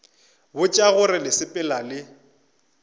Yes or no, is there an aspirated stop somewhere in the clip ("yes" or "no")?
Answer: no